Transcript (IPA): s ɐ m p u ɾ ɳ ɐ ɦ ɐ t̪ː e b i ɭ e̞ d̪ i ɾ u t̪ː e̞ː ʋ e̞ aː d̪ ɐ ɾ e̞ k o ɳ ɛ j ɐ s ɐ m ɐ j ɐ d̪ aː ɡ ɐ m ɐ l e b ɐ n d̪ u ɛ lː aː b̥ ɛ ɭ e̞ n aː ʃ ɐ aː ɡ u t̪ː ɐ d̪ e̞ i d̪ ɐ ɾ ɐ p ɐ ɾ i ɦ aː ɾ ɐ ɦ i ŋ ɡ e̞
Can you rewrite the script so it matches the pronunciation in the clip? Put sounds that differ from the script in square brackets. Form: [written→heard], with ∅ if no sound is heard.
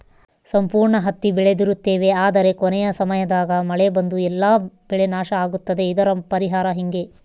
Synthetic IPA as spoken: s ɐ m p [u→uː] ɾ ɳ ɐ ɦ ɐ t̪ː [e→i] b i ɭ e̞ d̪ i ɾ u t̪ː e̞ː ʋ e̞ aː d̪ ɐ ɾ e̞ k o [ɳ→n] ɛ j ɐ s ɐ m ɐ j ɐ d̪ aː ɡ ɐ m ɐ [l→ɭ] e b ɐ n d̪ u ɛ lː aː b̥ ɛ ɭ e̞ n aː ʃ ɐ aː ɡ u t̪ː ɐ d̪ e̞ i d̪ ɐ ɾ ɐ p ɐ ɾ i ɦ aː ɾ ɐ ɦ i ŋ ɡ e̞